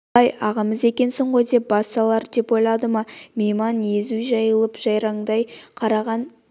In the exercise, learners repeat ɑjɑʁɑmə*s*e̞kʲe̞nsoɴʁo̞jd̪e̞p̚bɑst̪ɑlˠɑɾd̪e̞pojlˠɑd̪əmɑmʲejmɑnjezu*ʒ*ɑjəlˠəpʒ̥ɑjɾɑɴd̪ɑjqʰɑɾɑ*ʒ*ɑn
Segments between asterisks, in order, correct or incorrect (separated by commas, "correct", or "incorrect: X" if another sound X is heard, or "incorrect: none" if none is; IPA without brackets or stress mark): incorrect: z, correct, incorrect: ʁ